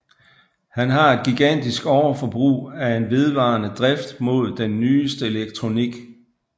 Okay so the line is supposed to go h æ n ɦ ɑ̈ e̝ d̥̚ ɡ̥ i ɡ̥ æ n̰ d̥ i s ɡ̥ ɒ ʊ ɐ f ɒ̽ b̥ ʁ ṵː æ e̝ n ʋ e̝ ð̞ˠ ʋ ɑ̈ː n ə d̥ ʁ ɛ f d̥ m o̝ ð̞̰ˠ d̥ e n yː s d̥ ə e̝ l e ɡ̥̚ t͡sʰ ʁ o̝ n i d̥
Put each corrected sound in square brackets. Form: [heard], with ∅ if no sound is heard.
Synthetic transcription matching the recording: h æ n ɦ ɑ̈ e̝ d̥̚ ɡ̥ i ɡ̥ æ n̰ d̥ i s ɡ̥ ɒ ʊ ɐ f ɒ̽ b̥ ʁ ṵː æ e̝ n ʋ e̝ ð̞ˠ ʋ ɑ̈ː n ə d̥ ʁ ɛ f d̥ m o̝ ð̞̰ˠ d̥ e [nː] yː s d̥ ə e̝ l e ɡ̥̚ t͡sʰ ʁ o̝ n i [ɡ̥]